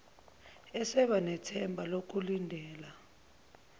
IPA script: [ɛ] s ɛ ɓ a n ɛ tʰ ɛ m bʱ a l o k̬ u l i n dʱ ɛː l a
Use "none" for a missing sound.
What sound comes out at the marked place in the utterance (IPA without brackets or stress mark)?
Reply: ɛ